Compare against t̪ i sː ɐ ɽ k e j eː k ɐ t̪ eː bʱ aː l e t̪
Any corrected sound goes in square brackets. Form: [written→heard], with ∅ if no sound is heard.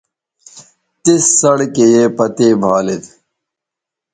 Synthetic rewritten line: t̪ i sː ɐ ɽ k e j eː [k→p] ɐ t̪ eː bʱ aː l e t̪